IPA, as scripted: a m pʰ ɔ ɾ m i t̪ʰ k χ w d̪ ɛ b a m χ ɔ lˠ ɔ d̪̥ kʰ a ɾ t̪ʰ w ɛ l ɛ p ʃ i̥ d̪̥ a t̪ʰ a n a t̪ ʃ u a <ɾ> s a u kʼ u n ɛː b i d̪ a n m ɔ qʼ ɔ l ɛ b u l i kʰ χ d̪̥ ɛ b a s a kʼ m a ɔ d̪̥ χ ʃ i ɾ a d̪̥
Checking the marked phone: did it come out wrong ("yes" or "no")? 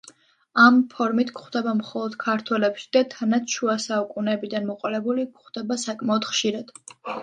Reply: yes